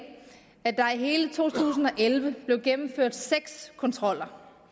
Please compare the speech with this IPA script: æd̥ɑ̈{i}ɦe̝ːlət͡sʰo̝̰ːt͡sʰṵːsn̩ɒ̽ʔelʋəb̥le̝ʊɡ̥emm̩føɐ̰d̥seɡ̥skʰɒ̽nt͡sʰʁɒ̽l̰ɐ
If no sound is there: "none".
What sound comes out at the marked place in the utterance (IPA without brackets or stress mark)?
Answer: i